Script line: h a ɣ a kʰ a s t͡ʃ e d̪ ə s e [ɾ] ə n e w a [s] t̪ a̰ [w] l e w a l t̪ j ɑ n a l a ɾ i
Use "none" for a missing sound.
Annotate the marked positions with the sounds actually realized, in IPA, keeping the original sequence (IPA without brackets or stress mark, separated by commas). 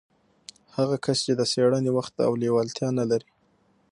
ɽ, x, w